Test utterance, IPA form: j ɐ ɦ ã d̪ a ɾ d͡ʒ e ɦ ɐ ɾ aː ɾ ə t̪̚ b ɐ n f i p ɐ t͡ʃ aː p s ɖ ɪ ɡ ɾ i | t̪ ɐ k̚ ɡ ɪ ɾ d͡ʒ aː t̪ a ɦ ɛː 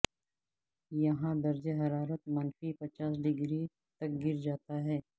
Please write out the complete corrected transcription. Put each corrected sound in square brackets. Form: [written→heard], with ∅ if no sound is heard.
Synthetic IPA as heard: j ɐ ɦ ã d̪ [a→ɐ] ɾ d͡ʒ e ɦ ɐ ɾ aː ɾ ə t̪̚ [b→m] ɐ n f i p ɐ t͡ʃ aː [p→∅] s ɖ ɪ ɡ ɾ i | t̪ ɐ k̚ ɡ ɪ ɾ d͡ʒ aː t̪ a ɦ ɛː